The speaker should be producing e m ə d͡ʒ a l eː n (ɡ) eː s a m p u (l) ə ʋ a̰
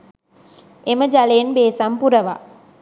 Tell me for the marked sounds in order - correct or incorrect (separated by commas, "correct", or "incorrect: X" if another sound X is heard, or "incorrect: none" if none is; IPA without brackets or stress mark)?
incorrect: b, incorrect: ɾ